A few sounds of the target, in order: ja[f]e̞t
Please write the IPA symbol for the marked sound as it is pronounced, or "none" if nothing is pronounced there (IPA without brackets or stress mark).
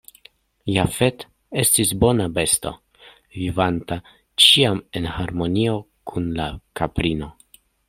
f